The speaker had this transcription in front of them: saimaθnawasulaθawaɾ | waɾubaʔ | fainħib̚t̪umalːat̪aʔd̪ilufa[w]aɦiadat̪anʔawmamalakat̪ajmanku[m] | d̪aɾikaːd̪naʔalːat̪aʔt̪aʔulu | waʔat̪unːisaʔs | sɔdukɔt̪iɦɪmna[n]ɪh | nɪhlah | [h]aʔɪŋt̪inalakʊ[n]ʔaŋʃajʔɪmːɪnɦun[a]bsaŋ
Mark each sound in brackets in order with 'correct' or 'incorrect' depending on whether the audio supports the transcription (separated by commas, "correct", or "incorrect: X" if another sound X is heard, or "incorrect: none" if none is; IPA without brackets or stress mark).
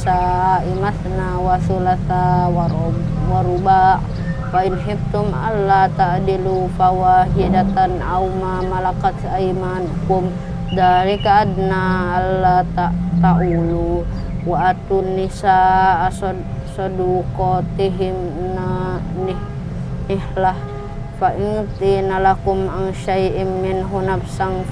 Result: correct, correct, correct, incorrect: f, incorrect: m, correct